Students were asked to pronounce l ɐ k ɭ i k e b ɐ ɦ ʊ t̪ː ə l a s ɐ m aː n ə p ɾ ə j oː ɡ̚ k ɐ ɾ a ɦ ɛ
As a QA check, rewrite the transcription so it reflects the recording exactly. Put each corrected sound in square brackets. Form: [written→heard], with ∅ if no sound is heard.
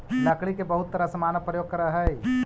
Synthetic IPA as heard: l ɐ k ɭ i k e b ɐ ɦ ʊ t̪ː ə [l→ɾ] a s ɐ m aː n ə p ɾ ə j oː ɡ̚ k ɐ ɾ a ɦ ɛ